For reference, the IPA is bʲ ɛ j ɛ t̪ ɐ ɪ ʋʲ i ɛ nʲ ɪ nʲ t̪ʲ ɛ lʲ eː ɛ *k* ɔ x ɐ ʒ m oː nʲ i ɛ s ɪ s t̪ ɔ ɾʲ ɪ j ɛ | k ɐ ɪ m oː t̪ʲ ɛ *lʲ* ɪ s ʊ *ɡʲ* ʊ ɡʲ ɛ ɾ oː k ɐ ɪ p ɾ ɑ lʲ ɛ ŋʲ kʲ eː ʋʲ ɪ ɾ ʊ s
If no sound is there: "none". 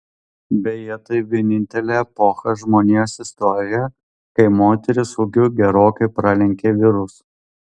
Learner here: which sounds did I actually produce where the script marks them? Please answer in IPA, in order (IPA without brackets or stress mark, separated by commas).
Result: p, ɾʲ, ɡʲ